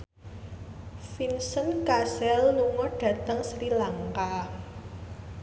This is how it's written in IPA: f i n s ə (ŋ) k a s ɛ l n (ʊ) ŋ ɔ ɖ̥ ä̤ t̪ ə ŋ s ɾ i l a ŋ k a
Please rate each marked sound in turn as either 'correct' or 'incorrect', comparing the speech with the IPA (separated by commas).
incorrect, incorrect